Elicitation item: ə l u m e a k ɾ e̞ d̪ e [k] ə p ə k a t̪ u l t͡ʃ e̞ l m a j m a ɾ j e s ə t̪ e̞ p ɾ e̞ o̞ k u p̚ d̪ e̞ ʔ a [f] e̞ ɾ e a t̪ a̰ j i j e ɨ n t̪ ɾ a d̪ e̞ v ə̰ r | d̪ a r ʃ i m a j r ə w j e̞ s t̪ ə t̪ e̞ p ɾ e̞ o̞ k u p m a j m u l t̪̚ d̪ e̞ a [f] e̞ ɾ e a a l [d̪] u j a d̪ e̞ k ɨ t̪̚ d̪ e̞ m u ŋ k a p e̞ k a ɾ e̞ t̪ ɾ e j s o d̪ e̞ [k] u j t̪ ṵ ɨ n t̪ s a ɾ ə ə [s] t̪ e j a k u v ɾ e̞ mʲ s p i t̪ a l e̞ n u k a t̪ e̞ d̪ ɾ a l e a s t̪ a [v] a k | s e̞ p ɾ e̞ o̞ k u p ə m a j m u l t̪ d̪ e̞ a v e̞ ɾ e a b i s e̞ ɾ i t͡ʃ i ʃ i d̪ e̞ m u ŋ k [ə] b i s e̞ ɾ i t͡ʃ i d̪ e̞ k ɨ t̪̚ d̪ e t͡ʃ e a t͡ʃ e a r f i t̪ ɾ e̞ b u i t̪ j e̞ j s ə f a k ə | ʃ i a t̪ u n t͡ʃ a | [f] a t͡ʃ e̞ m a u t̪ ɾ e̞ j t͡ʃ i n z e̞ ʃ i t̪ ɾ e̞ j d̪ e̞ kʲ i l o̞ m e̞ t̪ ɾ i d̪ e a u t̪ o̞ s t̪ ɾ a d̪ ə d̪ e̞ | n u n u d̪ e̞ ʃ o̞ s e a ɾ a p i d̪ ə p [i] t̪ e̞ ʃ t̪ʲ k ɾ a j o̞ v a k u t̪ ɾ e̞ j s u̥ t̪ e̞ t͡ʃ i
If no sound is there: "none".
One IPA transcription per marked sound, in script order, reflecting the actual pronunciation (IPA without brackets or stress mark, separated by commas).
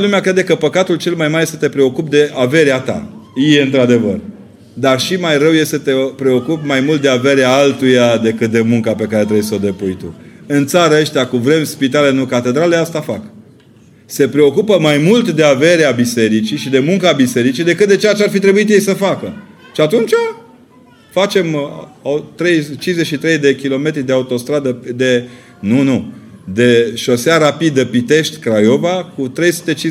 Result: k, v, v, t̪, p, ʃ, f, a, f, i